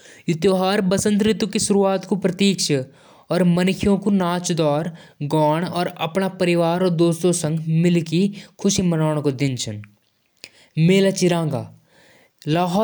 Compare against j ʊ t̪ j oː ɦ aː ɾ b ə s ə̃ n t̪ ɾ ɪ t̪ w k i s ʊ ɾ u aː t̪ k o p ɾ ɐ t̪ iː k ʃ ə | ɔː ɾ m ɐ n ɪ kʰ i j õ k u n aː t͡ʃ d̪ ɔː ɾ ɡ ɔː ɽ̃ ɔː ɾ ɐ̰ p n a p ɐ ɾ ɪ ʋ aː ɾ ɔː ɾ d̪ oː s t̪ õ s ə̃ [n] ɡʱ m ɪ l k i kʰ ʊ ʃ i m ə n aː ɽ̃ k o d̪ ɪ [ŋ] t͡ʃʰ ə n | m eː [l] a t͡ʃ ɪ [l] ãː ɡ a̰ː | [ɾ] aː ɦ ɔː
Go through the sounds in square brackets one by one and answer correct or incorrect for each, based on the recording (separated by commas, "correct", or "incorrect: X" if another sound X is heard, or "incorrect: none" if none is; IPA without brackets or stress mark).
incorrect: ŋ, incorrect: n, correct, incorrect: ɾ, incorrect: l